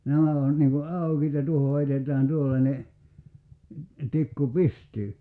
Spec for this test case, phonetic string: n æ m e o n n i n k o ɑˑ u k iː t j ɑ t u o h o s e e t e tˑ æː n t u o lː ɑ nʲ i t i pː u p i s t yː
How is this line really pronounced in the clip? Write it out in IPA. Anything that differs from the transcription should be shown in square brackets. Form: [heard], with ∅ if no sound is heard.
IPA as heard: n æ m [æ] o n n i [ŋ] k [u] ɑˑ u k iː t j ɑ t u o h o [h] e [i] t e tˑ æː n t u o lː ɑ nʲ [e] t i [kː] u p i s t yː